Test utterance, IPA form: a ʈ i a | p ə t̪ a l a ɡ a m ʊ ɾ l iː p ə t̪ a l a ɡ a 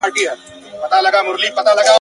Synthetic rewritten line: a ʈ i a | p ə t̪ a l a ɡ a m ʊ ɾ l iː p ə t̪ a l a ɡ a